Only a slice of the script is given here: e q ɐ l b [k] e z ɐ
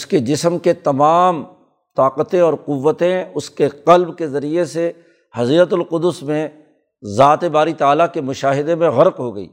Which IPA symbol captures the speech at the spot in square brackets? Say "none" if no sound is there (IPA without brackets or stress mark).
k